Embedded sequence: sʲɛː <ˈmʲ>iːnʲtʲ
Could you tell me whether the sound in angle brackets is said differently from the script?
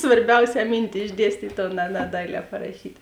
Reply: no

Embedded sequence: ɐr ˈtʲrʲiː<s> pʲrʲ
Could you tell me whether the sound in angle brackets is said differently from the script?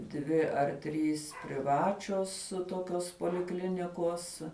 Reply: no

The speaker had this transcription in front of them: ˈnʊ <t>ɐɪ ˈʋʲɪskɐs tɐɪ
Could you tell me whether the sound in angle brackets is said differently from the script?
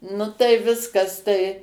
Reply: no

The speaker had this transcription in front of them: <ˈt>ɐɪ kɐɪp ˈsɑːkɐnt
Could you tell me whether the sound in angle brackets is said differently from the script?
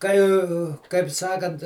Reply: yes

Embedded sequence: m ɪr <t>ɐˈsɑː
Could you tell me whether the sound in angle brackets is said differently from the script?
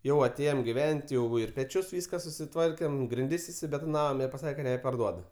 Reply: yes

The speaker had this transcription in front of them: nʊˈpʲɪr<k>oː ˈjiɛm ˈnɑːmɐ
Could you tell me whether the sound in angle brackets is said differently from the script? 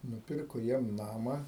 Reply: no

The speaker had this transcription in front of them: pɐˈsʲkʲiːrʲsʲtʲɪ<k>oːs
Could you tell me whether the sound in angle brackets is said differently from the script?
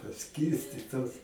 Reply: yes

